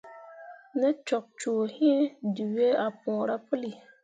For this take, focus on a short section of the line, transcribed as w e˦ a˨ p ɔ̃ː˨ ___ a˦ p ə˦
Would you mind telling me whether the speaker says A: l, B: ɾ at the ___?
B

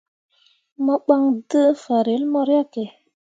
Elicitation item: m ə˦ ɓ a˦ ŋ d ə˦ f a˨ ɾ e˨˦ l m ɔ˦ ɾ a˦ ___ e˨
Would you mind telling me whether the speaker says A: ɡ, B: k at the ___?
B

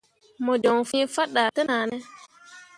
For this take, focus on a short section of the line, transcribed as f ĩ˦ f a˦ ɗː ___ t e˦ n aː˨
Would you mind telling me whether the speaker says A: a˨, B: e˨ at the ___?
A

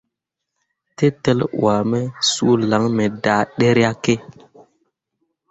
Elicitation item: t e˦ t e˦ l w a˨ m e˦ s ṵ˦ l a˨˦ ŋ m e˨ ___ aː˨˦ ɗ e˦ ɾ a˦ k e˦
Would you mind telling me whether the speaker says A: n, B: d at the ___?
B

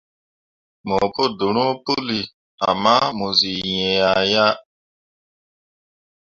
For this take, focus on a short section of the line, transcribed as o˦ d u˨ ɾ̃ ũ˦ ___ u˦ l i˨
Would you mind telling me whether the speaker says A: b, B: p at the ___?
B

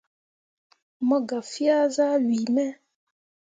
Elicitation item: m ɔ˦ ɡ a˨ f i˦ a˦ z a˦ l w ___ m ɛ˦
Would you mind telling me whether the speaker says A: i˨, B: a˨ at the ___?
A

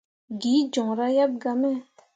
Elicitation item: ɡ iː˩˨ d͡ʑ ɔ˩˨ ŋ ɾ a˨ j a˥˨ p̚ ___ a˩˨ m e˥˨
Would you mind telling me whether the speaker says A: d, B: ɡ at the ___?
B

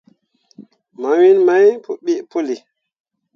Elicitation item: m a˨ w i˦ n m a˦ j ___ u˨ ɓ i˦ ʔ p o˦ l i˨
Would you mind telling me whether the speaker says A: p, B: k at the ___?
A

